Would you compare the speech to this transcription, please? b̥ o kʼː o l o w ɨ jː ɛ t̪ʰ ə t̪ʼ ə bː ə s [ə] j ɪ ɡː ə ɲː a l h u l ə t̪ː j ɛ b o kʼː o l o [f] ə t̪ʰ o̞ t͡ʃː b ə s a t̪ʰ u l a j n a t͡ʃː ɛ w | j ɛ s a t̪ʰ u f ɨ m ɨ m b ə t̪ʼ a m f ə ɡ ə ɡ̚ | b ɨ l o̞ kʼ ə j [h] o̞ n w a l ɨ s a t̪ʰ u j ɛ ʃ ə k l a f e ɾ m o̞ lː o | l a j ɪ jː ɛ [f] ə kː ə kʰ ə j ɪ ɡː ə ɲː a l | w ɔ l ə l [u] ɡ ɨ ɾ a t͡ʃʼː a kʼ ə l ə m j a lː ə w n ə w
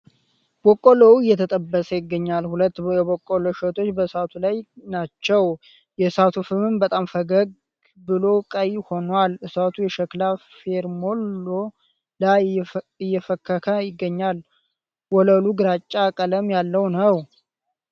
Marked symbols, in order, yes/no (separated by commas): yes, no, yes, yes, yes